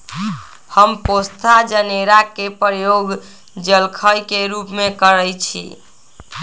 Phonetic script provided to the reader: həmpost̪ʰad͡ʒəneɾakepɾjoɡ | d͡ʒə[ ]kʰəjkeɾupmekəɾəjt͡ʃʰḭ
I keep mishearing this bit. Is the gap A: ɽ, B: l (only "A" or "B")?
B